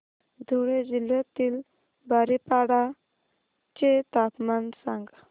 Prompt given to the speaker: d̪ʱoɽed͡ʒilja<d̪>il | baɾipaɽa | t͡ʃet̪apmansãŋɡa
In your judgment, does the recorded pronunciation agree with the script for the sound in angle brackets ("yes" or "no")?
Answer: no